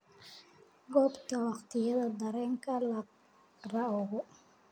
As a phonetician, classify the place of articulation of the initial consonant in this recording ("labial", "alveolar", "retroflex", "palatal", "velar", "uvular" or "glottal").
velar